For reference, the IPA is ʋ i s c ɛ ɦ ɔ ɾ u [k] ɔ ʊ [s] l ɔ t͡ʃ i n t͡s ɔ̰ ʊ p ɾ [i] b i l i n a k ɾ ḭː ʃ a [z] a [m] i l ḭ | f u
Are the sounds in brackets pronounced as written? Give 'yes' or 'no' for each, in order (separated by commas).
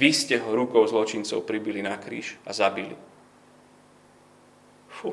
yes, no, yes, yes, no